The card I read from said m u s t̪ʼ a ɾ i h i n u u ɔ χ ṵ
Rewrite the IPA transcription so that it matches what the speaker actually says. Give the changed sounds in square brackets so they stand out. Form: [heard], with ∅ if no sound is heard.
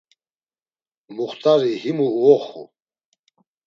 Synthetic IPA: m u [χ] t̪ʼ a ɾ i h i [m] u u ɔ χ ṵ